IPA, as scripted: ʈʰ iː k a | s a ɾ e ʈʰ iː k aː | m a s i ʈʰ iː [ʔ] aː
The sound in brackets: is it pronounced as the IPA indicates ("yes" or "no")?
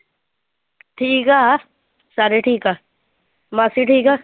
no